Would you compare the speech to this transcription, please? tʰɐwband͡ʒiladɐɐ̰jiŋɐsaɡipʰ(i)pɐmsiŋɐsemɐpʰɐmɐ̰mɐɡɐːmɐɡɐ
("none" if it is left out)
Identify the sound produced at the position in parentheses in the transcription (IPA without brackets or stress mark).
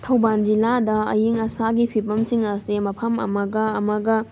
i